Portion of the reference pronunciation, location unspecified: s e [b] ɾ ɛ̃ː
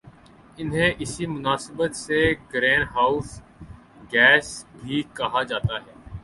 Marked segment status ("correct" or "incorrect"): incorrect